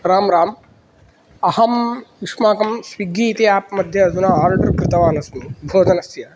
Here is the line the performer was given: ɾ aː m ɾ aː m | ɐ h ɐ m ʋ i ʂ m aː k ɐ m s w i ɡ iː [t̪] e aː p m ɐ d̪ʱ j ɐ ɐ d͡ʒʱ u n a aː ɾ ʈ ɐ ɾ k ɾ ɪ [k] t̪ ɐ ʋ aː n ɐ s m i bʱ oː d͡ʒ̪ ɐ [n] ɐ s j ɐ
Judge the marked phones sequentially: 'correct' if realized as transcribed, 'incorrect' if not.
correct, incorrect, correct

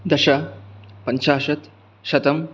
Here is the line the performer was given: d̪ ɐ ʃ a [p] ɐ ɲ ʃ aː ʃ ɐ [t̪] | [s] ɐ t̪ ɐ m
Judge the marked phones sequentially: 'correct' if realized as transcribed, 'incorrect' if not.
correct, correct, incorrect

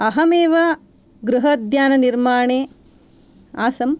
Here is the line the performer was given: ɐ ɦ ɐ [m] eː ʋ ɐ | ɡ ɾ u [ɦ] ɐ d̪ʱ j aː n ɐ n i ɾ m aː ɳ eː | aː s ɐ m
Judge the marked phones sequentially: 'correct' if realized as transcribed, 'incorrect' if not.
correct, correct

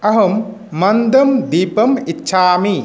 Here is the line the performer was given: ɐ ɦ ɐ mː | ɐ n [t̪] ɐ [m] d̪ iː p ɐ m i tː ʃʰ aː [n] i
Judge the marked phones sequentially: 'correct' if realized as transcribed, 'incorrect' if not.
incorrect, correct, incorrect

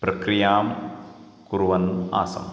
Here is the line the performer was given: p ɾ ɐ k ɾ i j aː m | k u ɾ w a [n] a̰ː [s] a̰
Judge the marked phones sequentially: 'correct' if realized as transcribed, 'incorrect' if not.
correct, correct

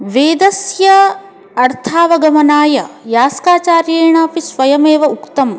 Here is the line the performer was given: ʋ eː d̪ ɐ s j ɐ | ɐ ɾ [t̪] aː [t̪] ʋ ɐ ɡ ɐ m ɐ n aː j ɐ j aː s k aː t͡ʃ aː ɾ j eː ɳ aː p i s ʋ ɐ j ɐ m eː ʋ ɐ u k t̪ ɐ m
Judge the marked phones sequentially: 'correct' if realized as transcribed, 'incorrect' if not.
incorrect, incorrect

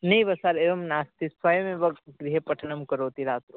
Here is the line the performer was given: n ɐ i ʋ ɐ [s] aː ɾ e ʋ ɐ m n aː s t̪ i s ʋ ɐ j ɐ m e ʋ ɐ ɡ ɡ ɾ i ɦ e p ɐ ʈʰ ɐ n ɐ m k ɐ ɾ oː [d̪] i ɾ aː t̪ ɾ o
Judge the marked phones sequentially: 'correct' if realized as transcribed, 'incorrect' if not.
correct, incorrect

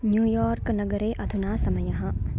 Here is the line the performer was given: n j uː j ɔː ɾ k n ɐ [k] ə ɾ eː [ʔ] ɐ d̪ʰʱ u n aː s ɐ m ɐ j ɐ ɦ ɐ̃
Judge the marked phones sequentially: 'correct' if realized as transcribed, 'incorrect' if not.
incorrect, correct

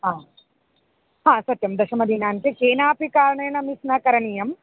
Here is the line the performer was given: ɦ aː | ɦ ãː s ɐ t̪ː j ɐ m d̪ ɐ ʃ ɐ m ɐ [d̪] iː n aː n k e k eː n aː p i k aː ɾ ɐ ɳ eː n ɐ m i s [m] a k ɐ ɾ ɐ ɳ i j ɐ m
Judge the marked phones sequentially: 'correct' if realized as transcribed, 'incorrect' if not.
correct, incorrect

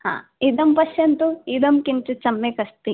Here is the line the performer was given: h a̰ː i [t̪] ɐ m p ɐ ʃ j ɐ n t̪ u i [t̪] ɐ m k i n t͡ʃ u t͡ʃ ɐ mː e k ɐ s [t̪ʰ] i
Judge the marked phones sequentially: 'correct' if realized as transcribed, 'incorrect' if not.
incorrect, incorrect, incorrect

